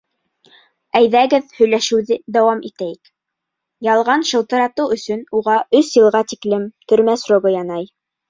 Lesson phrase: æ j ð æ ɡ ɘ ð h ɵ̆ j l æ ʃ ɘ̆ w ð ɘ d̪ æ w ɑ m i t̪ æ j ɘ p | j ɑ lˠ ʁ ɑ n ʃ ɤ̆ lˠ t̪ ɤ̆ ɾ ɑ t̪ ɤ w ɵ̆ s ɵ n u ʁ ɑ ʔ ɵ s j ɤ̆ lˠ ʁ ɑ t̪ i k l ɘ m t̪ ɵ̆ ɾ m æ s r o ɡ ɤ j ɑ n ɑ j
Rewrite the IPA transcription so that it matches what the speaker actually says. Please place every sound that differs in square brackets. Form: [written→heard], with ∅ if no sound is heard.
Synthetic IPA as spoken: æ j ð æ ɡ ɘ ð h ɵ̆ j l æ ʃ ɘ̆ w ð ɘ d̪ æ w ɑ m i t̪ æ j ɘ [p→k] | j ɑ lˠ ʁ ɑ n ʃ ɤ̆ lˠ t̪ ɤ̆ ɾ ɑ t̪ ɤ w ɵ̆ s ɵ n u ʁ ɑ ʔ ɵ s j ɤ̆ lˠ ʁ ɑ t̪ i k l ɘ m t̪ ɵ̆ ɾ m æ s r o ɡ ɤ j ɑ n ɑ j

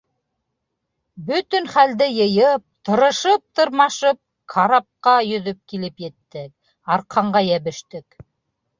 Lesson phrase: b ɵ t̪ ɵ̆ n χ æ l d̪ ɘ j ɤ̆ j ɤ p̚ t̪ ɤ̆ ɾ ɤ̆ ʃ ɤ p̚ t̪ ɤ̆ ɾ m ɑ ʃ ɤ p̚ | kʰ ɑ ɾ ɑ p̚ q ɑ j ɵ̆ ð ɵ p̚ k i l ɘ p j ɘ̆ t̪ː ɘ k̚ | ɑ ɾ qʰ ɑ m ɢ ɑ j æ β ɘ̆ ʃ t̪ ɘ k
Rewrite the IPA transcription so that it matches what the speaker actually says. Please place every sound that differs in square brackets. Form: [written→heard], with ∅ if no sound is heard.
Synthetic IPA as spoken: b ɵ t̪ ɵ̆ n χ æ l d̪ ɘ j ɤ̆ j ɤ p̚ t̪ ɤ̆ ɾ ɤ̆ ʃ ɤ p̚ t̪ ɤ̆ ɾ m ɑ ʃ ɤ p̚ | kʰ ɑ ɾ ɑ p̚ q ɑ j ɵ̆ ð ɵ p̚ k i l ɘ p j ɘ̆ t̪ː ɘ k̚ | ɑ ɾ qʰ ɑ [m→ɴ] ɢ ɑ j æ β ɘ̆ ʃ t̪ ɘ k

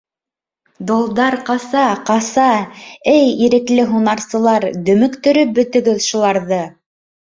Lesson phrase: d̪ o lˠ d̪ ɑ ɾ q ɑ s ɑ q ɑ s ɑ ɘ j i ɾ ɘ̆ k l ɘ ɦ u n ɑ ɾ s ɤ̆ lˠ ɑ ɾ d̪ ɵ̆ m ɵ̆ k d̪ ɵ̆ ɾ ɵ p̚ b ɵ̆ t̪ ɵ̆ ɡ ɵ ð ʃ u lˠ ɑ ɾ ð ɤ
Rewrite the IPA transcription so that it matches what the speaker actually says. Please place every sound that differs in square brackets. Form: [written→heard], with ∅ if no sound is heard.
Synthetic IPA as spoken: d̪ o lˠ d̪ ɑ ɾ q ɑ s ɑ q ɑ s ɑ ɘ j i ɾ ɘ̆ k l ɘ ɦ u n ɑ ɾ s ɤ̆ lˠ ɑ ɾ d̪ ɵ̆ m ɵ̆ k [d̪→t̪] ɵ̆ ɾ ɵ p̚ b ɵ̆ t̪ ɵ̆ ɡ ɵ ð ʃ u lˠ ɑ ɾ ð ɤ

